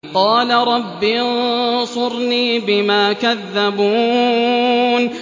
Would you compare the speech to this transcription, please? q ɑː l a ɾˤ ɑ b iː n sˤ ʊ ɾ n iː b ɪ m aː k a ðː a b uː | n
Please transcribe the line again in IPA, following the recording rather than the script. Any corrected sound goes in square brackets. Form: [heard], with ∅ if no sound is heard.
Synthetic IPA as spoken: q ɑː l a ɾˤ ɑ [bː] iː n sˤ ʊ ɾ n iː b ɪ m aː k a ðː a b uː | n